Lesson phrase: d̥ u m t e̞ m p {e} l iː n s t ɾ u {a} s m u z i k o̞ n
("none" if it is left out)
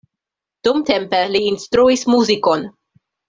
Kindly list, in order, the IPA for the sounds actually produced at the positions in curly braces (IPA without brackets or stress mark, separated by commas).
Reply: e, i